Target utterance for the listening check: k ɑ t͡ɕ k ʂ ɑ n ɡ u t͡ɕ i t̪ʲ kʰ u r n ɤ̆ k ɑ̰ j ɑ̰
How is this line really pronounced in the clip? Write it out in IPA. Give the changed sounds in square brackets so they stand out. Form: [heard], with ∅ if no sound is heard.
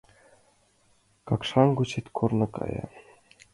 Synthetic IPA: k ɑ [∅] k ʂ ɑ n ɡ u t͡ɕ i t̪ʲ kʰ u r n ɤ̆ k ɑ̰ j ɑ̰